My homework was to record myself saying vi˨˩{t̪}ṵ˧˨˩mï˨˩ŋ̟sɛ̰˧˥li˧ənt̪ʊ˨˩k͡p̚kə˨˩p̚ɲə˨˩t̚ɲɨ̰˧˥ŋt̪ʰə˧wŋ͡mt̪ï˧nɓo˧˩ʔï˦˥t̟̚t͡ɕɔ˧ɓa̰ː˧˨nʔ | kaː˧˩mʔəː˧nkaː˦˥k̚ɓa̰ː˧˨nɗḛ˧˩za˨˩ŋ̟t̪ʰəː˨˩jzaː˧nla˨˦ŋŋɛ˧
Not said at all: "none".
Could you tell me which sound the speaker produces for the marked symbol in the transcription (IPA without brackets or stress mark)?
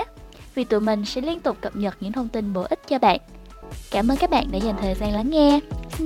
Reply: t̪